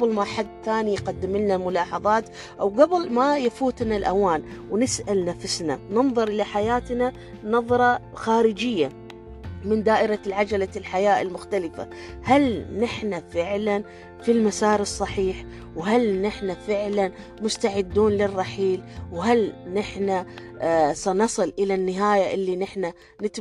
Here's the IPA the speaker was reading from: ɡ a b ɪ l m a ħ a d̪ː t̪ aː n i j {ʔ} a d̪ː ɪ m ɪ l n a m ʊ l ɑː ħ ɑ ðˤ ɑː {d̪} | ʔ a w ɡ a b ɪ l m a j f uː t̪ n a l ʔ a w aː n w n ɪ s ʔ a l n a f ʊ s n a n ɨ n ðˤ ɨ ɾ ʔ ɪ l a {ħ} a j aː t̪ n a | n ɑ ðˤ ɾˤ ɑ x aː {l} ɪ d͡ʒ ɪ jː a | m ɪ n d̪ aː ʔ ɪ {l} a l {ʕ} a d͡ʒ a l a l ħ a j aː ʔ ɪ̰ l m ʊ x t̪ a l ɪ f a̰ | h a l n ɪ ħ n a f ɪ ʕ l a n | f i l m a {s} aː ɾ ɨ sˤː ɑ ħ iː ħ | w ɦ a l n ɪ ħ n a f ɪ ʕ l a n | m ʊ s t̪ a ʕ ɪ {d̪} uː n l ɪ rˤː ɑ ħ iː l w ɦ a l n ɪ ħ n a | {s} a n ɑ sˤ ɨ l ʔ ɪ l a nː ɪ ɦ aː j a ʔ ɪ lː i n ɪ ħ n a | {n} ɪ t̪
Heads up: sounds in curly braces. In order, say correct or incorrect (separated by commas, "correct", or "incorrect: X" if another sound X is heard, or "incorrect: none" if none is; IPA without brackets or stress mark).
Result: incorrect: q, incorrect: t̪, correct, incorrect: ɾ, incorrect: ɾ, correct, correct, incorrect: d̪ː, correct, correct